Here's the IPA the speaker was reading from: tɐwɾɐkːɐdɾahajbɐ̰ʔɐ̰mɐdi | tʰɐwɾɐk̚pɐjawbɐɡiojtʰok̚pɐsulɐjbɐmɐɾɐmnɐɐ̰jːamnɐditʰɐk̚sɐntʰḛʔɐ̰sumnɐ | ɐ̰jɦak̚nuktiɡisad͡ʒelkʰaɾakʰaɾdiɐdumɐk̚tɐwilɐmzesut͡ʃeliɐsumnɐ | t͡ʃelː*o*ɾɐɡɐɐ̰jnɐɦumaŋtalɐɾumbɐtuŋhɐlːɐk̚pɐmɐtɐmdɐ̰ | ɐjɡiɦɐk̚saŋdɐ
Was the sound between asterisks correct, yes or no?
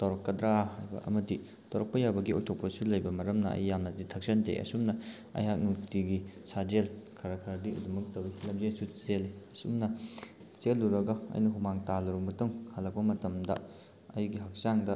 no